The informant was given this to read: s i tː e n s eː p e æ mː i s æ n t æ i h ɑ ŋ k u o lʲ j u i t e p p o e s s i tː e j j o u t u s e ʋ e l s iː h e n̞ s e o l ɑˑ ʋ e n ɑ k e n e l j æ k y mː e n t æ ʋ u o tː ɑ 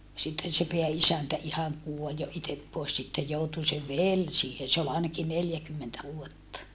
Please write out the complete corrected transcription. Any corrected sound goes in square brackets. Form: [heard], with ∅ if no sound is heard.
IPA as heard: s i tː e n s [e] p e æ [∅] i s æ n t æ i h ɑ ŋ k u o lʲ j [o] i t e p p o e s s i tː e j j o u t u s e ʋ e l s iː h e n̞ s e o l ɑˑ [∅] e n ɑ k [i] n e l j æ k y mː e n t æ ʋ u o tː ɑ

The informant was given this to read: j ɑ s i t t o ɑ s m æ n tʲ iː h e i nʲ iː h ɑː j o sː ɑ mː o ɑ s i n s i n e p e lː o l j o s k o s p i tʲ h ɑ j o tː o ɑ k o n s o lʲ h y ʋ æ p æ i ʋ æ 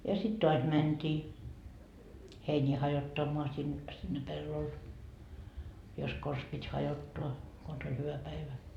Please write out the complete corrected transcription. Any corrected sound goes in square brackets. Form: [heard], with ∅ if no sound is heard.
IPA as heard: j ɑ s i t t o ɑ s m æ n tʲ iː h e i nʲ iː h [ɑ] j o [tː] ɑ mː o ɑ s i n s i [nː] e p e lː o l j o s k o s p i tʲ h ɑ j o tː o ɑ k o n s o lʲ h y ʋ æ p æ i ʋ æ

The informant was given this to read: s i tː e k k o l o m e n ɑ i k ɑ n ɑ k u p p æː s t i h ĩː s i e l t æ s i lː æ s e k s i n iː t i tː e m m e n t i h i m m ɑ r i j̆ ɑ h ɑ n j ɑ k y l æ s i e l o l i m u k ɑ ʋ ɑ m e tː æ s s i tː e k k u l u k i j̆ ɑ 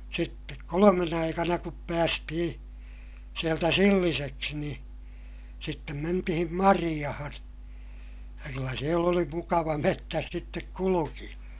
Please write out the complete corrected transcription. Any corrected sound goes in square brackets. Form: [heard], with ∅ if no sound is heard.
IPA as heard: s i tː e k k o l o m e n ɑ i k ɑ n ɑ k u p p æː s t i h ĩː s i e l t æ s i lː [i] s e k s i n iː [s] i tː e m m e n t i h i m m ɑ r i j̆ ɑ h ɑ n j ɑ k y [lː] æ s i e l o l i m u k ɑ ʋ ɑ m e tː æ s s i tː e k k u l u k i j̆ ɑ

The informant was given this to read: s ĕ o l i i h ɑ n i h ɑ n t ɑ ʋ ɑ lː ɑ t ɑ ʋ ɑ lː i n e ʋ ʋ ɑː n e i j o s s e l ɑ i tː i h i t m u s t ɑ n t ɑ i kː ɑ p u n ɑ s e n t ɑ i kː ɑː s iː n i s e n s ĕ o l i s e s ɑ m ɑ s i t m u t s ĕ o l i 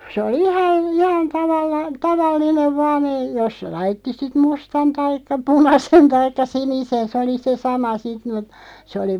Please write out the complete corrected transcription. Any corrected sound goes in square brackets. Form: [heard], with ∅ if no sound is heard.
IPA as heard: s ĕ o l i i h ɑ n i h ɑ n t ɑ ʋ ɑ lː ɑ t ɑ ʋ ɑ lː i n e ʋ ʋ ɑː n e i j o s s e l ɑ i tː i [s] i t m u s t ɑ n t ɑ i kː ɑ p u n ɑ s e n t ɑ i kː [ɑ] s [i] n i s e n s ĕ o l i s e s ɑ m ɑ s i t m u t s ĕ o l i

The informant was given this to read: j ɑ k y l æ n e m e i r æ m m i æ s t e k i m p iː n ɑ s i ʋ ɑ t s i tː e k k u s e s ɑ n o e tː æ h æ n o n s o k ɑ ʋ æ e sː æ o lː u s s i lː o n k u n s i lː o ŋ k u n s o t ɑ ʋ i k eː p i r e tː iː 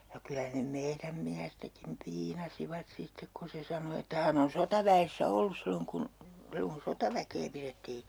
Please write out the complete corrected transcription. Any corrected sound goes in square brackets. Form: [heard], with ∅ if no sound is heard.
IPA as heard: j ɑ k y l æ n e m e i r æ m m i æ s t [æ] k i m p iː n ɑ s i ʋ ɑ t s i tː e k k u s e s ɑ n o e tː æ h æ n o n s o [t] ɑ ʋ æ e sː æ o lː u s s i lː o [ŋ] k u n s i lː o ŋ k u n s o t ɑ ʋ [æ] k eː p i r e tː iː

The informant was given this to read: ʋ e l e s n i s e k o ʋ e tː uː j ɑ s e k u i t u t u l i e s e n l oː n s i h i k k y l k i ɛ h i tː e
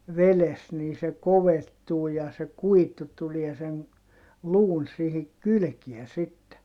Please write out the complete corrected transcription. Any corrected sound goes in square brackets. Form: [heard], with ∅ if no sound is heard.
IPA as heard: ʋ e l e s n [iː] s e k o ʋ e tː uː j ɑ s e k u i t u t u l i e s e n l [uː] n s i h i k k y l k i ɛ [s] i tː e

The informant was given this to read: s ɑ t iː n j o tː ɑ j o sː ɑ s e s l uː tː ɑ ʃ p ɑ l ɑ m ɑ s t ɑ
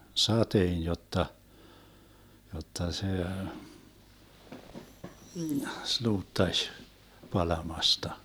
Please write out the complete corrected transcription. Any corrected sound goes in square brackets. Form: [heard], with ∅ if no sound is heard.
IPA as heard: s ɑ t [eː] n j o tː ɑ j o [tː] ɑ s e s l uː tː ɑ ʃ p ɑ l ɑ m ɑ s t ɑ

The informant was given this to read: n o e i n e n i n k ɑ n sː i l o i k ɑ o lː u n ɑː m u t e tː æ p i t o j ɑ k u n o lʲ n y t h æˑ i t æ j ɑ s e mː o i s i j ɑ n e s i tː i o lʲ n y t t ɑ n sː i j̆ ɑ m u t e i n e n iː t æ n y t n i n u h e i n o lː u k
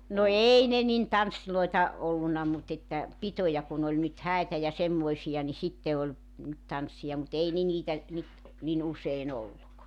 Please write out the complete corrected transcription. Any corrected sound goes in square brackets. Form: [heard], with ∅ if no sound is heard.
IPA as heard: n o e i n e n i n [t] ɑ n sː i l o i [t] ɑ o lː u n [ɑ] m u t e tː æ p i t o j ɑ k u n o lʲ n y t h æˑ i t æ j ɑ s e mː o i s i j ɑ n [i] s i tː [e] o lʲ n y t t ɑ n sː i j̆ ɑ m u t e i n e n iː t æ n y t n i n u [s] e i n o lː u k

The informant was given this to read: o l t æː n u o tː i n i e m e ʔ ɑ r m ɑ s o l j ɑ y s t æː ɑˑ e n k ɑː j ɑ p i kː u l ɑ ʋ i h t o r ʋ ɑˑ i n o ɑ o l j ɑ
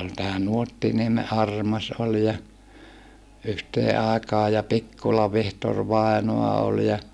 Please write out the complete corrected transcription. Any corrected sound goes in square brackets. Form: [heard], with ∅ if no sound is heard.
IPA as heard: o l t æː n u o tː i n i e m e ʔ ɑ r m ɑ s o l j ɑ y [h] t [eː] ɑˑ e [∅] k ɑː j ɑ p i kː u l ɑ ʋ i h t o r ʋ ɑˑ i n o ɑ o l j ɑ

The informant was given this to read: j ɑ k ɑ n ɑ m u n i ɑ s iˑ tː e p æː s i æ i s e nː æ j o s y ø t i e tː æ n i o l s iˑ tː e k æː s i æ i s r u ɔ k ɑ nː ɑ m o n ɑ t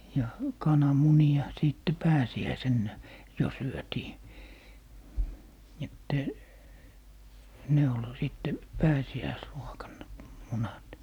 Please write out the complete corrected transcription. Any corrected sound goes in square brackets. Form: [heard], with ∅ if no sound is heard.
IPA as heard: j ɑ k ɑ n ɑ m u n i ɑ s iˑ tː e p æː s i æ i s e nː æ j o s y ø t [iː] e tː æ n [e] o l s iˑ tː e [p] æː s i æ i s r u [o] k ɑ nː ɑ m [u] n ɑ t

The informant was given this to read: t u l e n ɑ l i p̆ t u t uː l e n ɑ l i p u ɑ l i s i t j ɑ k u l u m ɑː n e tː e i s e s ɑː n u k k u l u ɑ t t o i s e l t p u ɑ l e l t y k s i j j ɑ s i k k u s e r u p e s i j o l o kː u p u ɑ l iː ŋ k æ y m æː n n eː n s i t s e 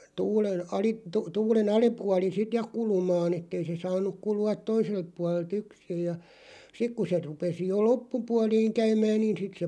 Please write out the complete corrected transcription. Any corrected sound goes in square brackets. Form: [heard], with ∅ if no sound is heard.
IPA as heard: t [uː] l e n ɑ l i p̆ t u t uː l e n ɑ l i p u ɑ l i s i t j ɑ k u l u m ɑː n e tː e i s e s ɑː n u k k u l u ɑ t t o i s e l t p u ɑ l e l t y k s i j j ɑ s i k k u s e r u p e s i j o l o [pː] u p u ɑ l iː ŋ k æ y m æː n n [iː] n s i t s e

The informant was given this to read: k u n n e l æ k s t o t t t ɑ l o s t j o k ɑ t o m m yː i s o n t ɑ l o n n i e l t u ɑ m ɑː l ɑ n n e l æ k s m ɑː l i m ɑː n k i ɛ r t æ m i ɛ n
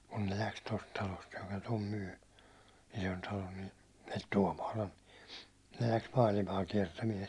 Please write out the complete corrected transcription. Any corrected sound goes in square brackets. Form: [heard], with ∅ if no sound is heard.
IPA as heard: k u n n e l æ k s t o [s] t t ɑ l o s t j o k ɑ t o m m yː i s o n t ɑ l o n n i e l t u [ɒ] m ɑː l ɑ n n e l æ k s m ɑː l i m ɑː [∅] k i ɛ r t æ m i ɛ n

